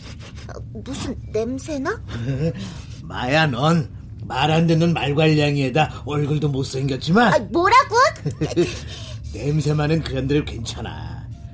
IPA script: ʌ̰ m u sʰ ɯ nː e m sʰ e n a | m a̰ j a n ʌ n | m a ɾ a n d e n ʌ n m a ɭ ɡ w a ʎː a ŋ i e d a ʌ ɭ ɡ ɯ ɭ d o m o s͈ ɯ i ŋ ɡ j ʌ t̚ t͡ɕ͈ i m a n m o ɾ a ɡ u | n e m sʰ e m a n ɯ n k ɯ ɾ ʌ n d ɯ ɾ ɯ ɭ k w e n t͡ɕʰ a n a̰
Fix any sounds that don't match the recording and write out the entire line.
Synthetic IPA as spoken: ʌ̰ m u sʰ ɯ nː e m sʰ e n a | m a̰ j a n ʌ n | m a ɾ a n d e n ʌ n m a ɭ ɡ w a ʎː a ŋ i e d a ʌ ɭ ɡ ɯ ɭ d o m o s͈ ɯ i ŋ ɡ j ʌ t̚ t͡ɕ͈ i m a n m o ɾ a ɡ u | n e m sʰ e m a n ɯ n k ɯ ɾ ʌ n d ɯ ɾ ɯ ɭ k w e n t͡ɕʰ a n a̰